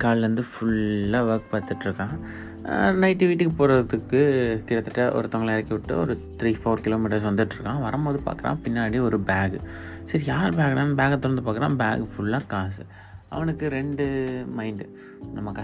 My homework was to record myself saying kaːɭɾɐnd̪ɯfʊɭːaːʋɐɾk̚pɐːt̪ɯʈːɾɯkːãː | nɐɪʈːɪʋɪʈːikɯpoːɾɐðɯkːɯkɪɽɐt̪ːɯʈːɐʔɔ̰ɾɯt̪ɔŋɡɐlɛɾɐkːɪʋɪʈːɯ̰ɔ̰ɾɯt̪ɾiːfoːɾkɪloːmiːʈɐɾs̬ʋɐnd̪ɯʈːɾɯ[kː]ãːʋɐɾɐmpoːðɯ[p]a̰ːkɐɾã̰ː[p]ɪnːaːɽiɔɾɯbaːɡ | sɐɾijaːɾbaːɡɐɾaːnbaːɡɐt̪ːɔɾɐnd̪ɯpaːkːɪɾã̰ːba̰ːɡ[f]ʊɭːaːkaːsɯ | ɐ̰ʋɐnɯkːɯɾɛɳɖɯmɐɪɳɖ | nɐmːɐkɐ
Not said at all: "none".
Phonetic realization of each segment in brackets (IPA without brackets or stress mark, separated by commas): kː, p, p, f